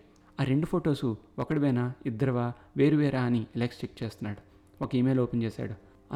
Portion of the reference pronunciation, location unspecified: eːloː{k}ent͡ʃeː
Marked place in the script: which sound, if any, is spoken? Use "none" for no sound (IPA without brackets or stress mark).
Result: p